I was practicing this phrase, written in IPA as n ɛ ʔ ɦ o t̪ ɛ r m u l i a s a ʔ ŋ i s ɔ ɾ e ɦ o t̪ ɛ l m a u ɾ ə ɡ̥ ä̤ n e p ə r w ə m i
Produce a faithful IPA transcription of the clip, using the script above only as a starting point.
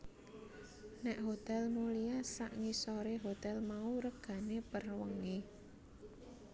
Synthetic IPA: n ɛ ʔ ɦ o t̪ ɛ l m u l i a s a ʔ ŋ i s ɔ ɾ e ɦ o t̪ ɛ l m a u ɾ ə ɡ̥ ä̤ n e p ə r w ə ŋ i